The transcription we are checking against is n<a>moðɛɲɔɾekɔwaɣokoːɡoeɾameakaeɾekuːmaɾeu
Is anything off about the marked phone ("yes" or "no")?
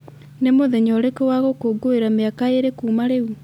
yes